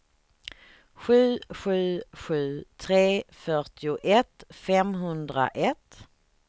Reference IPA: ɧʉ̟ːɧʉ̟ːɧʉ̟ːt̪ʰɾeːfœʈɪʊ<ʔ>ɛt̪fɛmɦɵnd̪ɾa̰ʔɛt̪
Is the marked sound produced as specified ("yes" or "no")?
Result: yes